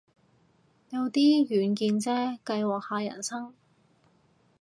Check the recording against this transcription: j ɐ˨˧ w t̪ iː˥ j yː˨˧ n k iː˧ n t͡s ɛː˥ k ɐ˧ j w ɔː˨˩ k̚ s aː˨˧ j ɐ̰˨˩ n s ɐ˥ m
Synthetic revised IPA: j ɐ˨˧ w t̪ iː˥ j yː˨˧ n k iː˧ n t͡s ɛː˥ k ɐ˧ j w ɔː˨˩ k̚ h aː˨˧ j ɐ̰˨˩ n s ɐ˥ ŋ